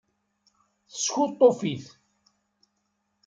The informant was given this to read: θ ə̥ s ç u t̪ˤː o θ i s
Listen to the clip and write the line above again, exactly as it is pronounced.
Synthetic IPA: θ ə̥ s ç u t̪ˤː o f i θ